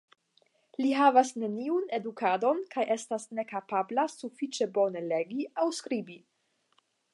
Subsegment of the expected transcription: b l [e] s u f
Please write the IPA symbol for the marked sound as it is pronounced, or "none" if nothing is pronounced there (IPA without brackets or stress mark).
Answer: a